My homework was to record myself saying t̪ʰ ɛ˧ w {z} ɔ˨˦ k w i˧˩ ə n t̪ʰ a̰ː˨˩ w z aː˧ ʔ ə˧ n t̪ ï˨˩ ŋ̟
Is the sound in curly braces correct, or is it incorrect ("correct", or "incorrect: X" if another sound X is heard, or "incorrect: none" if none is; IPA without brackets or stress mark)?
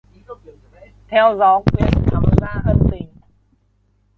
correct